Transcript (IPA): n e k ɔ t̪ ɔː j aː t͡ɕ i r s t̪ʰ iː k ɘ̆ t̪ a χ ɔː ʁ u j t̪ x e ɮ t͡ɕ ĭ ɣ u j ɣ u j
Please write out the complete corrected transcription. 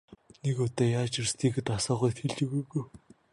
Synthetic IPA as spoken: n e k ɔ t̪ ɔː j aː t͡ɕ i r s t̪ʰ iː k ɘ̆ t̪ a s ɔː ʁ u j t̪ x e ɮ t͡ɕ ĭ ɣ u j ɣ u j